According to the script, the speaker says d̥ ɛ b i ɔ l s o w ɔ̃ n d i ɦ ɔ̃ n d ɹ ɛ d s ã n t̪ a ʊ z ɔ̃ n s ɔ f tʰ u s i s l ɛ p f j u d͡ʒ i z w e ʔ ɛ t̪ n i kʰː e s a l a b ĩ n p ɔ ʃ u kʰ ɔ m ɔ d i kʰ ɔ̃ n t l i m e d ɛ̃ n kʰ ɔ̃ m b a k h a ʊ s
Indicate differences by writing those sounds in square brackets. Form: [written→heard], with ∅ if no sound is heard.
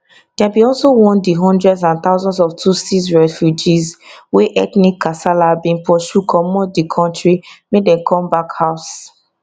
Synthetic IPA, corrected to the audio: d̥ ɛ b i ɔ l s o w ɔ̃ n d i ɦ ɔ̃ n d ɹ ɛ d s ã n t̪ a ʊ z ɔ̃ n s ɔ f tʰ u s i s [l→ɹ] ɛ [p→∅] f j u d͡ʒ i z w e ʔ ɛ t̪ n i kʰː [e→a] s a l a b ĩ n p ɔ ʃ u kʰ ɔ m ɔ d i kʰ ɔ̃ n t [l→ɹ] i m e d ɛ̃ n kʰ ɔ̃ m b a k h a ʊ s